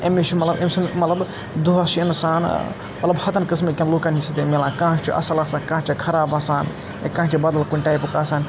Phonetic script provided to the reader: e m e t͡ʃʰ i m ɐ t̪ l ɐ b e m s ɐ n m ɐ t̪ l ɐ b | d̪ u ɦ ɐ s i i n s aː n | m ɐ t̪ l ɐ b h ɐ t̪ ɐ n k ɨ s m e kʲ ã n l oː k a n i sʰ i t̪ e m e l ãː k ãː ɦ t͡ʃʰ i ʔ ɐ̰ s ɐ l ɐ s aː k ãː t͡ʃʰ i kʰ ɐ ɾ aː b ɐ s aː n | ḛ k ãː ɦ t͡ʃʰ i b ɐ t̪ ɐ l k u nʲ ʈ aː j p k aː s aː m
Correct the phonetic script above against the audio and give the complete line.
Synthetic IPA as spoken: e m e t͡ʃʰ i m ɐ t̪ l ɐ b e m s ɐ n m ɐ t̪ l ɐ b | d̪ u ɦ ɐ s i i n s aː n | m ɐ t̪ l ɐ b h ɐ t̪ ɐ n k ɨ s m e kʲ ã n l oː k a n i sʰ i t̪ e m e l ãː k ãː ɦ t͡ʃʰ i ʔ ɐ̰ s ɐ l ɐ s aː k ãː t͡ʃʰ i kʰ ɐ ɾ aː b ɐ s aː n | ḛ k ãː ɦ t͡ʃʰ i b ɐ d̪ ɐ l k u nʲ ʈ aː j p k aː s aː n